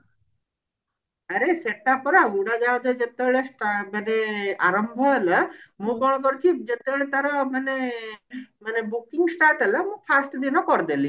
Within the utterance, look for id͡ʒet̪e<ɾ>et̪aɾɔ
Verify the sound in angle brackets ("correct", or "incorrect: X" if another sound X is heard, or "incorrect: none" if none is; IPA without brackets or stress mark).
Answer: incorrect: ɭ